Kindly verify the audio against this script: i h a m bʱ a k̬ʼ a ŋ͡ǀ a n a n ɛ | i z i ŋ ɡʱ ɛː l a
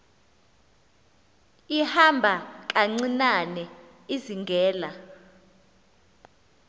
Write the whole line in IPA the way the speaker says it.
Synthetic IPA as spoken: i h a m bʱ a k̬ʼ a ŋ͡ǀ i n a n ɛ | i z i ŋ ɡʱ ɛː l a